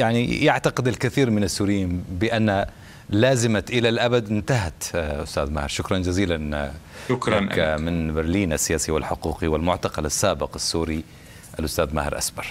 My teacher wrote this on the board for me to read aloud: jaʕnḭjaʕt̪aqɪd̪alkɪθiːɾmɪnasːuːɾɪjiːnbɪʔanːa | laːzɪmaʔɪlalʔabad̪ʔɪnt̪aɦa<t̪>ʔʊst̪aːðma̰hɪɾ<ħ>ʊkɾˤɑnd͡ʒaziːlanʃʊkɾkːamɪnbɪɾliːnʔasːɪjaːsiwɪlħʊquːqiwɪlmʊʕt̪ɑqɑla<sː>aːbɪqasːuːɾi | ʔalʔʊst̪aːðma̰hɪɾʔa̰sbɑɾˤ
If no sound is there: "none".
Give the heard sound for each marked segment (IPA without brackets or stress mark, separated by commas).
t̪, ʃ, sː